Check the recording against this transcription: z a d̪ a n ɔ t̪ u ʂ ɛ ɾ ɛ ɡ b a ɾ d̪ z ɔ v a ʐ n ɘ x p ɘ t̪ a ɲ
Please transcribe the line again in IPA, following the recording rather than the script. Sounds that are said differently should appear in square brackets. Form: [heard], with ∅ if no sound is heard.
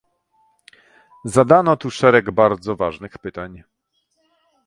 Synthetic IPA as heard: z a d̪ a n ɔ t̪ u ʂ ɛ ɾ ɛ ɡ b a ɾ d̪ z ɔ v a ʐ n ɘ x p ɘ t̪ a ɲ